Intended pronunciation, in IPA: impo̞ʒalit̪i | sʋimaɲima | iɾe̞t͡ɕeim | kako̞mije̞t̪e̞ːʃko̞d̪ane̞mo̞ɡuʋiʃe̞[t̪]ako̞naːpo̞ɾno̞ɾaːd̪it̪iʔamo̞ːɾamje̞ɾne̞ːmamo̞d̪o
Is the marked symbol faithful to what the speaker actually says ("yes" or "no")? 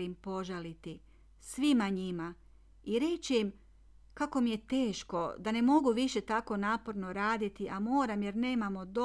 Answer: yes